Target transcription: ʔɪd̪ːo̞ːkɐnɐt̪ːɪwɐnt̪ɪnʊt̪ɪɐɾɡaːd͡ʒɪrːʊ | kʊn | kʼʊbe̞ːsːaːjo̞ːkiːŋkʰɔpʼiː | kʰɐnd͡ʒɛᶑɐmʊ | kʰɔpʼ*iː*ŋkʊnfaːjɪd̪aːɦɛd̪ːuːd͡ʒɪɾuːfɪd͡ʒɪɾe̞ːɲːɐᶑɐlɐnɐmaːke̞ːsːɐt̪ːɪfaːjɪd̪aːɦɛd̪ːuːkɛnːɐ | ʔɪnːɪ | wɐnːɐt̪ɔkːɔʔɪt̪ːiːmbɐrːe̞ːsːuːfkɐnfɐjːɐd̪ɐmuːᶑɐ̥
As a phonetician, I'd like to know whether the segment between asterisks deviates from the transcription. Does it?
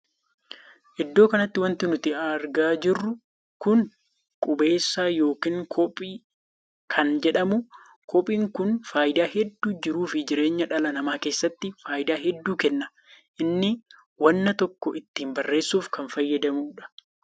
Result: no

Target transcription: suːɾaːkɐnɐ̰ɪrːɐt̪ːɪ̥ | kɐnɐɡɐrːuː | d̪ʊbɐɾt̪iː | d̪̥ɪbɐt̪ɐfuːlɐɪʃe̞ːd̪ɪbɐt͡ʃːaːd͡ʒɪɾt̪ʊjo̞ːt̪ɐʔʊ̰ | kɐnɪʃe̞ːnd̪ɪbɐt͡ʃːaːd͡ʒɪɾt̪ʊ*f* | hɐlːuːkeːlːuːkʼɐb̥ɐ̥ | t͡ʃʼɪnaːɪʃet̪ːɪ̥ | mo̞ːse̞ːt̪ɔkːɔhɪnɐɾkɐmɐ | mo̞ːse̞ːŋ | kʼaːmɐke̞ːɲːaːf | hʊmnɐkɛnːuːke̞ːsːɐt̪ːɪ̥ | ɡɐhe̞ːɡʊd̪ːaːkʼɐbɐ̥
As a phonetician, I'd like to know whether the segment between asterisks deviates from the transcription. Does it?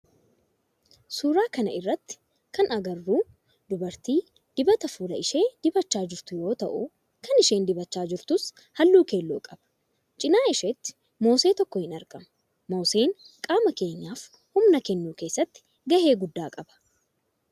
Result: yes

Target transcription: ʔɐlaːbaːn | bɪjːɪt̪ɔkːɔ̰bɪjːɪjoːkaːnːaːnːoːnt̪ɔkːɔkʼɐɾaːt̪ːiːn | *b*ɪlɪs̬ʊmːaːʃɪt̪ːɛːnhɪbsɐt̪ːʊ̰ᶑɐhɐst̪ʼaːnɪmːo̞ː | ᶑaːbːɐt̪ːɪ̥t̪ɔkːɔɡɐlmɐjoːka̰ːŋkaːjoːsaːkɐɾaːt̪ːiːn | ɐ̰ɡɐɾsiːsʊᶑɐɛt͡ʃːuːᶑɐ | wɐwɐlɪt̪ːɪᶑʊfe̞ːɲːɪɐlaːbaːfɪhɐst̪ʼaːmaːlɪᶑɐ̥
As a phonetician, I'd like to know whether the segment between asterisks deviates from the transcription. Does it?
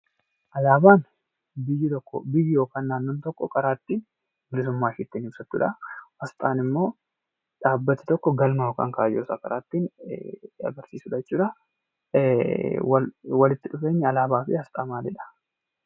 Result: no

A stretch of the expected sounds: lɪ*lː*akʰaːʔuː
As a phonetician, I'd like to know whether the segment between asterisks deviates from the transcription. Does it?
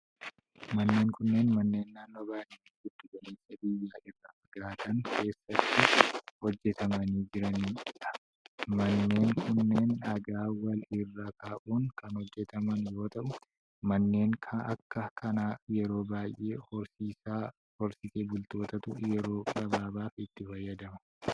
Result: yes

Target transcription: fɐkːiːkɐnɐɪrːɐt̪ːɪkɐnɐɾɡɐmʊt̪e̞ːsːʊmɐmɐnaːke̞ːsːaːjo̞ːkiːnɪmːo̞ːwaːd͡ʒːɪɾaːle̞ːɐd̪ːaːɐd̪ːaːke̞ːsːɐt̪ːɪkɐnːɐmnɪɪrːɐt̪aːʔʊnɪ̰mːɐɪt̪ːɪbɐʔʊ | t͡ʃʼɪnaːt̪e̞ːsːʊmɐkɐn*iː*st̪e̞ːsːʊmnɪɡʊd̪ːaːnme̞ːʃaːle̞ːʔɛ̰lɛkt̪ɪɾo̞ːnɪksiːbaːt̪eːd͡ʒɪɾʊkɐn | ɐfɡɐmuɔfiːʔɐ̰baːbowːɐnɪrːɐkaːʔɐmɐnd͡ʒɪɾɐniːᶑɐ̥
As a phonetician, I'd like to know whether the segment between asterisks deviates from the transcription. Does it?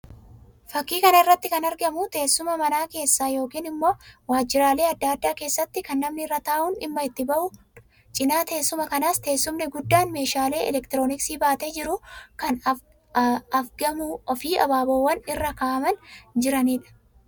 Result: yes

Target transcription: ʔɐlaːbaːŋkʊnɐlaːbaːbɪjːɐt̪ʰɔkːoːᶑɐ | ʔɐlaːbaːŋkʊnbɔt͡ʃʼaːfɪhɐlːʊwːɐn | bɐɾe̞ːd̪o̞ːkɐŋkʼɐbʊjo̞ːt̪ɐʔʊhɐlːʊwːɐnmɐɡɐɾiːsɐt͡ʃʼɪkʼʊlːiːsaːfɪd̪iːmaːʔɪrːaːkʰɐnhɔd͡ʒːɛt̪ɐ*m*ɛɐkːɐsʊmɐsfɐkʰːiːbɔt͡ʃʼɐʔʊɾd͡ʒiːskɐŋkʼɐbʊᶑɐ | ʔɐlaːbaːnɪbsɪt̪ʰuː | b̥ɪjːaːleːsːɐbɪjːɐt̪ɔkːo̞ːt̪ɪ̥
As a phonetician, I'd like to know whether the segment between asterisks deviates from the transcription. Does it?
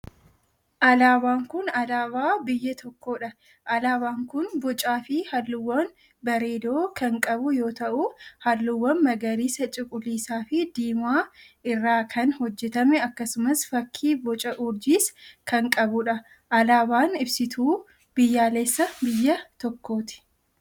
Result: no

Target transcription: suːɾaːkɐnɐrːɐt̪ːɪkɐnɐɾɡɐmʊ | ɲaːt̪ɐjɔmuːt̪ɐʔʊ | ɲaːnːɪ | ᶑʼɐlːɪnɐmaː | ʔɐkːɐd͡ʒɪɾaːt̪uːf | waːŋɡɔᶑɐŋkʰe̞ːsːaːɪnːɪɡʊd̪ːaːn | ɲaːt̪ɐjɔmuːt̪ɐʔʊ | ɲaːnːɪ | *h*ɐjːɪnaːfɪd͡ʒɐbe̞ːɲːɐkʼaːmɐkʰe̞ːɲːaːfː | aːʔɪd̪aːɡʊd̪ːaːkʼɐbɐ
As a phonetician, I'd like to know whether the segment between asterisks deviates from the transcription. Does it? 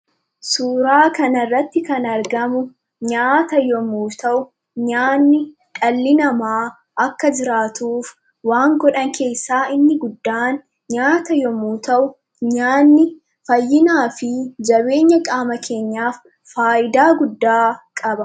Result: yes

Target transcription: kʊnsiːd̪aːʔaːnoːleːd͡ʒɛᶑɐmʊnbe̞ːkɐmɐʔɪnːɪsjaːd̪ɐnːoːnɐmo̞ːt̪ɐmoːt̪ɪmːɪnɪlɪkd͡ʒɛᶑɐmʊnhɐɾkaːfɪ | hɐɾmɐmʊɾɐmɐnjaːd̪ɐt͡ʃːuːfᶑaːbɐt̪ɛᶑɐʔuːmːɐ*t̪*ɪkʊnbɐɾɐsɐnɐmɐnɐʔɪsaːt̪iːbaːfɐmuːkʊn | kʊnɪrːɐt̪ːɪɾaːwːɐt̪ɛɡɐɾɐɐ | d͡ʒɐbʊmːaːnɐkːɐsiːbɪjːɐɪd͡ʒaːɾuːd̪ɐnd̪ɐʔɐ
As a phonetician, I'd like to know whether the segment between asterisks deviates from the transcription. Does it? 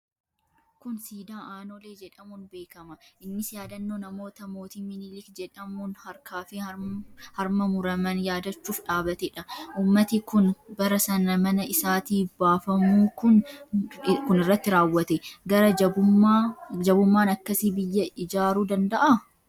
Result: no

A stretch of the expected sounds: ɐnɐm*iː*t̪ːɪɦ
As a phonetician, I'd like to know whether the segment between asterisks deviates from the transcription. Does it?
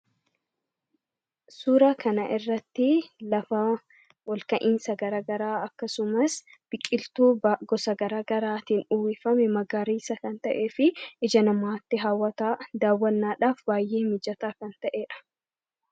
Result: yes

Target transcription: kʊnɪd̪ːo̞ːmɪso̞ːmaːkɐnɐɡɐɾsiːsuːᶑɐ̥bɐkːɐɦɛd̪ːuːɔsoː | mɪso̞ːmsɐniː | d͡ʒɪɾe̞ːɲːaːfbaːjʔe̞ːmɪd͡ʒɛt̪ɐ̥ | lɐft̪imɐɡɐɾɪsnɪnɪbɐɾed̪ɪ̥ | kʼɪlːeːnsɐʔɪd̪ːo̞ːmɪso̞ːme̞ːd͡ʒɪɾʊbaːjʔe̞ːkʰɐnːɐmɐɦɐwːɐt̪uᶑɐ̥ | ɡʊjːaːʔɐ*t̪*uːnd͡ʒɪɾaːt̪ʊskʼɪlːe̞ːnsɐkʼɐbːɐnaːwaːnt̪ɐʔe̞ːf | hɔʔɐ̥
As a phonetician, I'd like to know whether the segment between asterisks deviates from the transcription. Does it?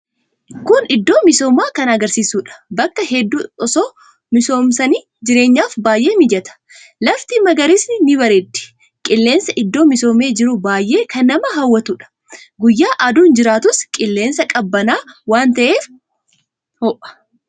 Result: yes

